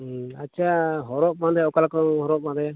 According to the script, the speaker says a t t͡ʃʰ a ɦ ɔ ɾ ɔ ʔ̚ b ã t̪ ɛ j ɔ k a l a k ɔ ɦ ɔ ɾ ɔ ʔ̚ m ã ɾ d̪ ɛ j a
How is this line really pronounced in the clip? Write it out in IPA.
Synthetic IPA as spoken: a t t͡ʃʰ a ɦ ɔ ɾ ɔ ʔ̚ m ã d̪ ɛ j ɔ k a l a k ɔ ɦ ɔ ɾ ɔ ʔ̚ m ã d̪ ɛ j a